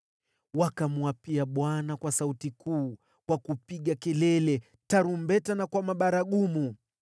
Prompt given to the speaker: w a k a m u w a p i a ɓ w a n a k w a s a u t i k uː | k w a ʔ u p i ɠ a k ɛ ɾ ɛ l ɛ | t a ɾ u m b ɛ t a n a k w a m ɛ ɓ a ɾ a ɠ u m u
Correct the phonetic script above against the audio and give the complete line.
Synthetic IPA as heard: w a k a m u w a p i a ɓ w a n a k w a s a u t i k uː | k w a k u p i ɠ a k ɛ l ɛ l ɛ | t a ɾ u m b ɛ t a n a k w a m a ɓ a ɾ a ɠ u m u

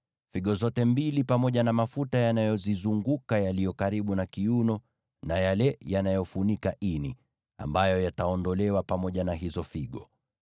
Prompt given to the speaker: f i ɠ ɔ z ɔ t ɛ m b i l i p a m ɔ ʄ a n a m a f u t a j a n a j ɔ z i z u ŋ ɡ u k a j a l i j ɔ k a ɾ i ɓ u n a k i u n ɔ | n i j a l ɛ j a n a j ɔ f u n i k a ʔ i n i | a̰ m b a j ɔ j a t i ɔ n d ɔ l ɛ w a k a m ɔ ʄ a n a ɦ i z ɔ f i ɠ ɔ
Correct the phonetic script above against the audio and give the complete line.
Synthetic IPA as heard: f i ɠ ɔ z ɔ t ɛ m b i l i p a m ɔ ʄ a n a m a f u t a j a n a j ɔ z i z u ŋ ɡ u k a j a l i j ɔ k a ɾ i ɓ u n a k i u n ɔ | n a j a l ɛ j a n a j ɔ f u n i k a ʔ i n i | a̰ m b a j ɔ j a t a ɔ n d ɔ l ɛ w a p a m ɔ ʄ a n a ɦ i z ɔ f i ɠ ɔ

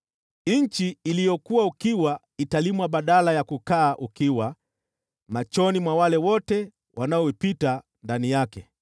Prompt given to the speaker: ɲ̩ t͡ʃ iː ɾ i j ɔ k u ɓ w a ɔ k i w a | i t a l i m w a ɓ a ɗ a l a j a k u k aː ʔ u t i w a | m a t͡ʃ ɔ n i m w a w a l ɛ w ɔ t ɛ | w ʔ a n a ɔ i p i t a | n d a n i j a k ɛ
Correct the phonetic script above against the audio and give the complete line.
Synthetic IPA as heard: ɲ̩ t͡ʃ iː l i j ɔ k u w a u k i w a | i t a l i m w a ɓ a ɗ a l a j a k u k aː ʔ u k i w a | m a t͡ʃ ɔ n i m w a w a l ɛ w ɔ t ɛ | w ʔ a n a ɔ i p i t a | n d a n i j a k ɛ

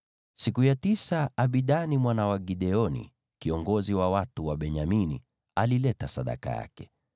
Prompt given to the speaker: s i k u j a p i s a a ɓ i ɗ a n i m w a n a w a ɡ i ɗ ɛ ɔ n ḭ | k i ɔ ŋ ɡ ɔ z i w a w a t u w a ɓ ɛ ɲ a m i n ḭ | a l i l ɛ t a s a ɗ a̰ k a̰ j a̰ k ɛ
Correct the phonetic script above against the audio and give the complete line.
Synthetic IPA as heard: s i k u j a t i s a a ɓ i ɗ a n i m w a n a w a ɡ i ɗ ɛ ɔ n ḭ | k i ɔ ŋ ɡ ɔ z i w a w a t u w a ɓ ɛ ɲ a m i n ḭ | a l i l ɛ t a s a ɗ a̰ k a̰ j a̰ k ɛ

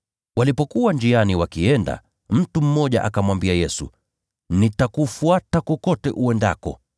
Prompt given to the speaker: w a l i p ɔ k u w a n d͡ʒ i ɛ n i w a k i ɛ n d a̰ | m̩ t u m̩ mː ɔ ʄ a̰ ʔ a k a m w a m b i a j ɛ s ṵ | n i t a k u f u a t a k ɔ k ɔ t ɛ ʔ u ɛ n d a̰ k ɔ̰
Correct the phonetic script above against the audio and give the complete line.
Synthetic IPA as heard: w a l i p ɔ k u w a n d͡ʒ i a n i w a k i ɛ n d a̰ | m̩ t u m̩ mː ɔ ʄ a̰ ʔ a k a m w a m b i a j ɛ s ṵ | n i t a k u f u a t a k ɔ k ɔ t ɛ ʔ u ɛ n d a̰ k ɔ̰

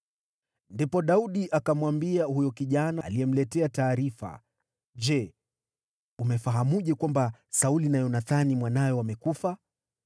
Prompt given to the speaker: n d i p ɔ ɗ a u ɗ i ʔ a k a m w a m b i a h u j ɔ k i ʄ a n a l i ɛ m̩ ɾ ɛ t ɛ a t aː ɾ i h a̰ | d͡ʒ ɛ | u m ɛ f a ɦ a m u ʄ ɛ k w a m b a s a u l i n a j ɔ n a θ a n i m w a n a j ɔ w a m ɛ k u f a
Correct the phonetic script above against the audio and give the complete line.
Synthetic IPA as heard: n d i p ɔ ɗ a u ɗ i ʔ a k a m w a m b i a h u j ɔ k i ʄ a n a l i ɛ m̩ l ɛ t ɛ a t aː ɾ i f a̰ | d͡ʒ ɛ | u m ɛ f a ɦ a m u ʄ ɛ k w a m b a s a u l i n a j ɔ n a θ a n i m w a n a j ɔ w a m ɛ k u f a

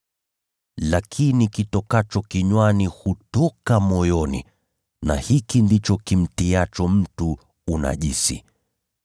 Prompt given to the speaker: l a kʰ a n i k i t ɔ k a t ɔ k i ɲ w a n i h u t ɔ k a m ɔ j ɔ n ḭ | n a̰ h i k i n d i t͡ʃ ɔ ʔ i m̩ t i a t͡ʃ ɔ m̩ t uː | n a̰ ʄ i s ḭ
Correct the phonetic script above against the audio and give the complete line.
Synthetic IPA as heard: l a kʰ i n i k i t ɔ k a t͡ʃ ɔ k i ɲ w a n i h u t ɔ k a m ɔ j ɔ n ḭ | n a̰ h i k i n d i t͡ʃ ɔ k i m̩ t i a t͡ʃ ɔ m̩ t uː | n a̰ ʄ i s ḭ

